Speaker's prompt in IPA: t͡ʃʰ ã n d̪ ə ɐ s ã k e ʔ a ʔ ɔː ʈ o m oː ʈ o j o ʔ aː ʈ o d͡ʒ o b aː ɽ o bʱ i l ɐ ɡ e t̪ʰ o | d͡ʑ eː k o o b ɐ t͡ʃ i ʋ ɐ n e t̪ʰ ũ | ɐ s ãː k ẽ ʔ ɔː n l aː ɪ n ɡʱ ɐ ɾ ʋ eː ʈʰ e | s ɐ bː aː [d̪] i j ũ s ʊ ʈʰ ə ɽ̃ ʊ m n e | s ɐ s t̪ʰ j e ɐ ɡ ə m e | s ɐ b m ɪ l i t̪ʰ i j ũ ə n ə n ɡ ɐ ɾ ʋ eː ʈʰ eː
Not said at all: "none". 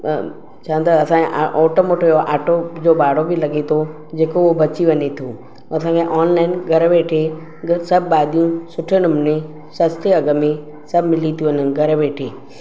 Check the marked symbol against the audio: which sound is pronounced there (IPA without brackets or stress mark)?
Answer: d̪